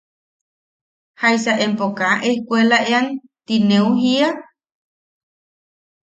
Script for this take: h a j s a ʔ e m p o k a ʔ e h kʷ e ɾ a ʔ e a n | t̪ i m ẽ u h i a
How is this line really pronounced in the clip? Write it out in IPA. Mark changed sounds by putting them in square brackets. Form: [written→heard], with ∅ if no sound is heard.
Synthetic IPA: h a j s a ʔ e m p o k a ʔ e h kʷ e [ɾ→l] a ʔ e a n | t̪ i [m→n] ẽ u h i a